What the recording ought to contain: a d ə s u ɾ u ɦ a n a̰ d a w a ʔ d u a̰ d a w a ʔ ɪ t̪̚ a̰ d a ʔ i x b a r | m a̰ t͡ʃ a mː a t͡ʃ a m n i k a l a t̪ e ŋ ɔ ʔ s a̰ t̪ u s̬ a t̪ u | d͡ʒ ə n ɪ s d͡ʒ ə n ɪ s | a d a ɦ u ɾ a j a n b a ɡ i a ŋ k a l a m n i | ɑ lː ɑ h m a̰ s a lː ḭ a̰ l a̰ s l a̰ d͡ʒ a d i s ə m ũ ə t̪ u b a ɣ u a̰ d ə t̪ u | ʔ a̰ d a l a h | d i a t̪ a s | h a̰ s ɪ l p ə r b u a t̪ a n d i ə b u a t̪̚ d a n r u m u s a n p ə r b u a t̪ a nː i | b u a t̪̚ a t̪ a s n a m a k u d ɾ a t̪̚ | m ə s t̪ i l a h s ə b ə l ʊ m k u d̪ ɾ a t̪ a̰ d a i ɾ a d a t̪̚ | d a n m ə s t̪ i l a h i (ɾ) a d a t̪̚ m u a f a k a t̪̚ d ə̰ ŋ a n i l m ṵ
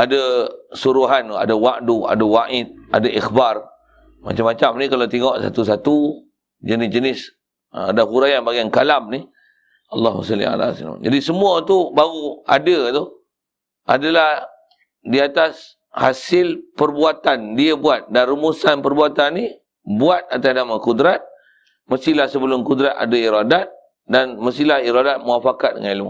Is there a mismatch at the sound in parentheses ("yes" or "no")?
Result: no